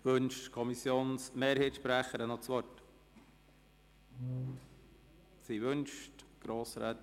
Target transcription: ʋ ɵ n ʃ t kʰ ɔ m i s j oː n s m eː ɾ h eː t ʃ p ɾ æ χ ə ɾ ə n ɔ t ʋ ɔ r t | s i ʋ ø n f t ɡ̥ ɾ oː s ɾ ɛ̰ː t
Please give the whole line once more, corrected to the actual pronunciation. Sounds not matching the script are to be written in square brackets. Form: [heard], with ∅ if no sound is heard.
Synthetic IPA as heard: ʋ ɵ n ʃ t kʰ ɔ m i s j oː n s m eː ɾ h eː t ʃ p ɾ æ χ ə ɾ ə n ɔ [t͡s] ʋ ɔ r t | s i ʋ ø n [ʃ] t ɡ̥ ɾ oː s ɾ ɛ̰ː t